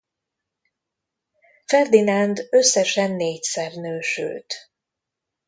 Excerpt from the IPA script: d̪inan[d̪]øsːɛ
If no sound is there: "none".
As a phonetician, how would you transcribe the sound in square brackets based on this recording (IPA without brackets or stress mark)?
d̪